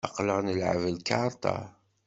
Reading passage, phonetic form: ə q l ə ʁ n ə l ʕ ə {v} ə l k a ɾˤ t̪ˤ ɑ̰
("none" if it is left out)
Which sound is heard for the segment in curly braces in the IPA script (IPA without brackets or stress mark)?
v